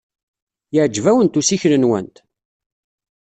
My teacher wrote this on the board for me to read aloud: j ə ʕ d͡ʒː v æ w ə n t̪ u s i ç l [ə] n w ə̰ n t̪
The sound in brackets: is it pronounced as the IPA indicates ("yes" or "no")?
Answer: yes